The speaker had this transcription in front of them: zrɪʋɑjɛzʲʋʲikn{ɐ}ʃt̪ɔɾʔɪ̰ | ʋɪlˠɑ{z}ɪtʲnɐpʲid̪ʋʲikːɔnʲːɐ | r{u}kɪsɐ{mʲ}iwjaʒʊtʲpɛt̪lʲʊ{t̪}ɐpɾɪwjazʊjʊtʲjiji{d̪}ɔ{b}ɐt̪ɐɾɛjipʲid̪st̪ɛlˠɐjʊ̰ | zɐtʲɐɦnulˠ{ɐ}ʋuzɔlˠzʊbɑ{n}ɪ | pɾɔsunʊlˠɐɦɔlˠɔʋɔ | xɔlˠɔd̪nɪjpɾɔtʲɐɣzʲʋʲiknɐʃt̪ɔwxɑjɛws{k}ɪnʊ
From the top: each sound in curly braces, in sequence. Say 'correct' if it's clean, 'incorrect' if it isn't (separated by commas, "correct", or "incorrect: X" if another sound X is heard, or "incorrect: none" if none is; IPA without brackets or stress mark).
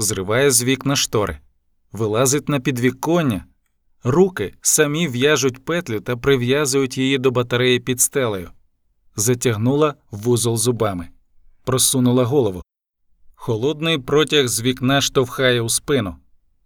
correct, correct, correct, correct, correct, correct, correct, correct, incorrect: m, incorrect: p